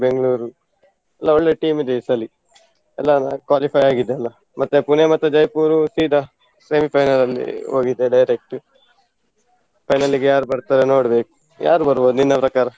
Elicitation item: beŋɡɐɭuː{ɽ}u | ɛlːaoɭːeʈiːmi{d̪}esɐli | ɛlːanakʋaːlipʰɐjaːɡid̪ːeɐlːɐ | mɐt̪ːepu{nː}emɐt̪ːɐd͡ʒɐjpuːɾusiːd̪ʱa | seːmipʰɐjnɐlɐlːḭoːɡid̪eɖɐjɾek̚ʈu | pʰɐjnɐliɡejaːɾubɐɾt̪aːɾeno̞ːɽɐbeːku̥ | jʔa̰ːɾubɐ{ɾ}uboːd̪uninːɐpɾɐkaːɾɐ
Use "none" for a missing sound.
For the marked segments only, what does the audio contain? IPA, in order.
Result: ɾ, d̪, n, ɾ

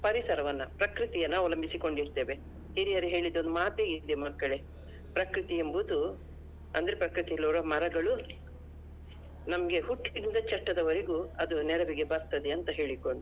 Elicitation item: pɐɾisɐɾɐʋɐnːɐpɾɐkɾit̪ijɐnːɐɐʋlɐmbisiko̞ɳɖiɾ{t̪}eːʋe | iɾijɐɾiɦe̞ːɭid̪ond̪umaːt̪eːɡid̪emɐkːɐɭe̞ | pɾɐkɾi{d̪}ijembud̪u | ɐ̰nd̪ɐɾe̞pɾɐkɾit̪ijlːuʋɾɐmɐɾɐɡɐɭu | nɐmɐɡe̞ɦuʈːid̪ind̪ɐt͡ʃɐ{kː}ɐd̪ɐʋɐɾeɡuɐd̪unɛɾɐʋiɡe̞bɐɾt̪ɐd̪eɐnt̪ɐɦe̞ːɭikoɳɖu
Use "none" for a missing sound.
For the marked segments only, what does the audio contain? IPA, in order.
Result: t̪, t̪, ʈː

